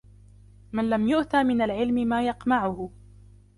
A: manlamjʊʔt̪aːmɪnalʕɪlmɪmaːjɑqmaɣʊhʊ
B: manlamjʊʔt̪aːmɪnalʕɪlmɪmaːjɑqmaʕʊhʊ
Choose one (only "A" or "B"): B